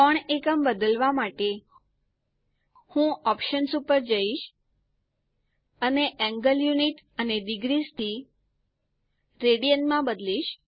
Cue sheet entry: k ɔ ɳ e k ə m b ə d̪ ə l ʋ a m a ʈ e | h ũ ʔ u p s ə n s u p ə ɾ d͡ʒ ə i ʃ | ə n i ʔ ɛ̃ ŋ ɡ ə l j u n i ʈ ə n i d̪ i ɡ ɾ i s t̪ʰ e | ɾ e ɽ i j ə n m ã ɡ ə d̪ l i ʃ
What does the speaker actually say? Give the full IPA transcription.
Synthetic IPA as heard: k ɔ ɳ e k ə m b ə d̪ ə l ʋ a m a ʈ e | h ũ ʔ ɔ p ʃ ə n s u p ə ɾ d͡ʒ ə i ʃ | ə n e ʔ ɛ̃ ŋ ɡ ə l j u n i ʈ ə n e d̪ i ɡ ɾ i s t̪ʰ i | ɾ e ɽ i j ə n m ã b ə d̪ l i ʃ